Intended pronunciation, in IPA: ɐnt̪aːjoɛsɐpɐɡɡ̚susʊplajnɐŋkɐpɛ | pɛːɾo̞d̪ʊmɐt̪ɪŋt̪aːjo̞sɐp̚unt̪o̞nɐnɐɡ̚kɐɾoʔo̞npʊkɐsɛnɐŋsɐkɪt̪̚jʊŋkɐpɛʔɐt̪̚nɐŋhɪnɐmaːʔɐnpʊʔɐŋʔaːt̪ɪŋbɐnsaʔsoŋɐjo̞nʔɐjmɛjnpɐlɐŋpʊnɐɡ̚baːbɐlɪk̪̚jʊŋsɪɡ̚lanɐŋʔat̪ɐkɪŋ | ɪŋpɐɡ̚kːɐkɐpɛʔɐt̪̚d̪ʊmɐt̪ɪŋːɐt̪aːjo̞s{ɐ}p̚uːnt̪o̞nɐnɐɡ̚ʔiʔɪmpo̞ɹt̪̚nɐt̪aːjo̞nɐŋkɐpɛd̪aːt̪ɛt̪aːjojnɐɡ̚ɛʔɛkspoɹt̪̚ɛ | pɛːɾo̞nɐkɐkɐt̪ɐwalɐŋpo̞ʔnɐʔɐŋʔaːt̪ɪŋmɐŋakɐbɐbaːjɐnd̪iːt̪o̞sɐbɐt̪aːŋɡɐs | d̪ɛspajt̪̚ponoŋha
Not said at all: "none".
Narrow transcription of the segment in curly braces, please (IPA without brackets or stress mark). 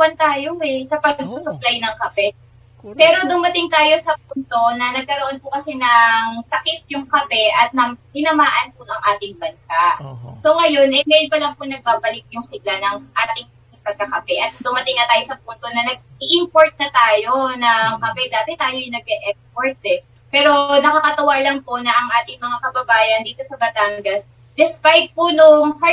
ɐ